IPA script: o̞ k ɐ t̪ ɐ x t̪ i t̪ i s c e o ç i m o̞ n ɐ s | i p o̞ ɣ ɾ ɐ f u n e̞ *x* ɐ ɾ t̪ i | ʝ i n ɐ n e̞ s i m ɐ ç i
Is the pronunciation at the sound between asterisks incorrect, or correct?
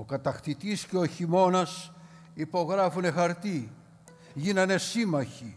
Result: correct